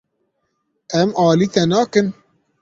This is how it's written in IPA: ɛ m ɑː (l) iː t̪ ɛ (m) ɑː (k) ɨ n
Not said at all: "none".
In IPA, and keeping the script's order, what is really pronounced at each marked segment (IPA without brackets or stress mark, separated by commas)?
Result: l, n, k